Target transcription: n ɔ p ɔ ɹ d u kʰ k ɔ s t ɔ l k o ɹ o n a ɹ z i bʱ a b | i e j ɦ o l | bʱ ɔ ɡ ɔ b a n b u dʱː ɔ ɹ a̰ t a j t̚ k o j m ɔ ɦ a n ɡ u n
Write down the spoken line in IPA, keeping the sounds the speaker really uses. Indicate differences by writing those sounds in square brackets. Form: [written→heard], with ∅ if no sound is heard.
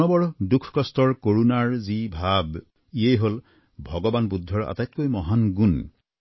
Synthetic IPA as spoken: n ɔ [p→b] ɔ ɹ d u kʰ k ɔ s t ɔ [l→ɹ] k o ɹ [o→u] n a ɹ z i bʱ a b | i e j ɦ o l | bʱ ɔ ɡ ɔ b a n b u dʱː ɔ ɹ a̰ t a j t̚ k o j m ɔ ɦ a n ɡ u n